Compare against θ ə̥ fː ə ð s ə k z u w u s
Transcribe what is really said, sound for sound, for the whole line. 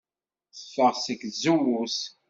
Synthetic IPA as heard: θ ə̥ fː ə ʁ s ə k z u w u s